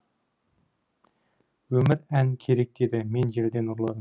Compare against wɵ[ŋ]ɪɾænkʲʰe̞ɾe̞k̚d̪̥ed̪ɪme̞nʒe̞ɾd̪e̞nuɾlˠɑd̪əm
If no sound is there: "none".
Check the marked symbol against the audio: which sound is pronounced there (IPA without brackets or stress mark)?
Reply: m